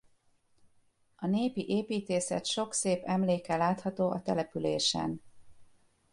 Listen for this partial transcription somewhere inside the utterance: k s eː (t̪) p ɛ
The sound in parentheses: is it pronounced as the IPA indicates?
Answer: no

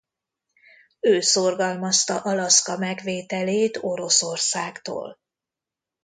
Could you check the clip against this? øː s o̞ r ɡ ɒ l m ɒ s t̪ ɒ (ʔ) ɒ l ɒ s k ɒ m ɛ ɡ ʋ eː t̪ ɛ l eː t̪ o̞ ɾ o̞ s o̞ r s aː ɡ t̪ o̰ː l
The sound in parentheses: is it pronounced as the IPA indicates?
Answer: yes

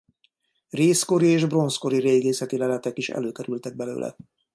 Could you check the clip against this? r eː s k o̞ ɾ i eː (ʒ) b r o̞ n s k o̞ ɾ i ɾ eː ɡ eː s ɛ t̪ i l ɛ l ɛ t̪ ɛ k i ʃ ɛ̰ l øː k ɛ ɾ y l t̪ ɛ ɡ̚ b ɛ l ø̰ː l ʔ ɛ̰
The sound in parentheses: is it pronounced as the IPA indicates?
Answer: yes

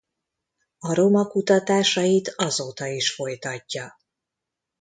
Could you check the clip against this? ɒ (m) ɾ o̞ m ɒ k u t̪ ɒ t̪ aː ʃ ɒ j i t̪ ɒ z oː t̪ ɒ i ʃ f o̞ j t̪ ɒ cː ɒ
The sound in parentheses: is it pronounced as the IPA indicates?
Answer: no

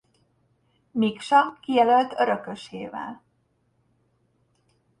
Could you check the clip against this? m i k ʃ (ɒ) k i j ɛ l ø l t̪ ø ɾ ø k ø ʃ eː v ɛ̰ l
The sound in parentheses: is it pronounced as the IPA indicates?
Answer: yes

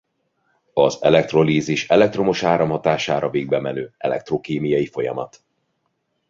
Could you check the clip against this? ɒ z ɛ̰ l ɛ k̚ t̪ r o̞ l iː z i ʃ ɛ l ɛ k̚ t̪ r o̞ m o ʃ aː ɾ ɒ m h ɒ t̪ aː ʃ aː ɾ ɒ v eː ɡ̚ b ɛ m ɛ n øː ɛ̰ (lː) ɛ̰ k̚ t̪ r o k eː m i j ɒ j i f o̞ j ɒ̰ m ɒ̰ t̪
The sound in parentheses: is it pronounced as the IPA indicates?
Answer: no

